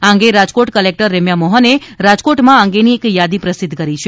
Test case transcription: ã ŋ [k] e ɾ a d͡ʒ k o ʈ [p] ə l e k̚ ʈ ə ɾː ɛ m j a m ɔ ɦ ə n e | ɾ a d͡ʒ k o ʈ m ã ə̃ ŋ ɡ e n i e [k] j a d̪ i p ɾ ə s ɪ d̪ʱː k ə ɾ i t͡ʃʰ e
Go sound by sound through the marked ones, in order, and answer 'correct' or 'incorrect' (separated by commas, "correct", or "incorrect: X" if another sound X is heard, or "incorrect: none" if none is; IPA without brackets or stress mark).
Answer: incorrect: ɡ, incorrect: k, correct